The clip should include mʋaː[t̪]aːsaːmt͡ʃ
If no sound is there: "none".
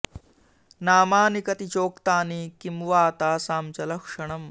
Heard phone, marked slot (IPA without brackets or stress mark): t̪